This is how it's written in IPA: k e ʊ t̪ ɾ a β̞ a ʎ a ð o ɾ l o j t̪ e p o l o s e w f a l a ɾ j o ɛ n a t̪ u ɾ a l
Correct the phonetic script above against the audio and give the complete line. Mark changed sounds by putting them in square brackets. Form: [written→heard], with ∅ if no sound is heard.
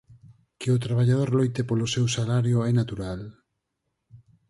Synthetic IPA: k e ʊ t̪ ɾ a β̞ a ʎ a ð o ɾ l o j t̪ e p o l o s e w [f→s] a l a ɾ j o ɛ n a t̪ u ɾ a l